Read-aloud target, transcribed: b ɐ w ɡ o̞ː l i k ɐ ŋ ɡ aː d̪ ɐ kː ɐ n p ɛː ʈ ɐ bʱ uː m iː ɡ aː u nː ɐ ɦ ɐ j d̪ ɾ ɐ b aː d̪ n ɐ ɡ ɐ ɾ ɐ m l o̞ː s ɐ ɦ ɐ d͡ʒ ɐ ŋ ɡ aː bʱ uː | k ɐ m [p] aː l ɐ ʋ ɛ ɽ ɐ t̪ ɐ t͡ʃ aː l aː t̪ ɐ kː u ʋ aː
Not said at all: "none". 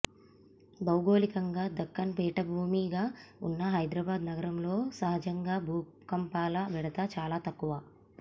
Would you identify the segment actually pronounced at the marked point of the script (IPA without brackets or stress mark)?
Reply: p